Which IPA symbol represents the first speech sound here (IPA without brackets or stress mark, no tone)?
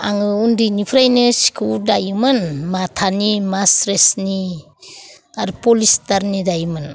a